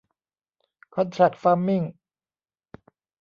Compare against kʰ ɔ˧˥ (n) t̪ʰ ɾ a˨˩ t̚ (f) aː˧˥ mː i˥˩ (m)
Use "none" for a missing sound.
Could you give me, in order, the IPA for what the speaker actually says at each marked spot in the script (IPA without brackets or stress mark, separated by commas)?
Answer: n, f, ŋ